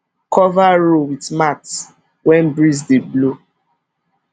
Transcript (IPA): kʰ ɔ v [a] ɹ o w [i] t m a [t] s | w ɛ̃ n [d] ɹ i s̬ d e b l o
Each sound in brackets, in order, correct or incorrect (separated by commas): correct, correct, correct, incorrect